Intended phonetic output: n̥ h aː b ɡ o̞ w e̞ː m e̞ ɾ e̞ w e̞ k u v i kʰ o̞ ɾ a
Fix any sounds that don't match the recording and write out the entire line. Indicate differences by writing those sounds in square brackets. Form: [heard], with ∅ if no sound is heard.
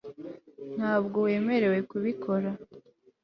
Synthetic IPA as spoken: n̥ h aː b ɡ o̞ w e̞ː m e̞ ɾ e̞ w e̞ k u [β] i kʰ o̞ ɾ a